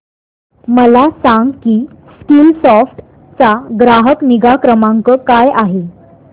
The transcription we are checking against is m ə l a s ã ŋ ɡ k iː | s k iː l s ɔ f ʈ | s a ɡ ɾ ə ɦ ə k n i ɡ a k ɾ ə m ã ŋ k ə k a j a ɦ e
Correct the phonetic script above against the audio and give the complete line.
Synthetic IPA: m ə l a s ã ŋ ɡ k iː | s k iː l s ɔ f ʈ | t͡s a ɡ ɾ a ɦ ə k n i ɡ a k ɾ ə m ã ŋ k ə k a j a ɦ e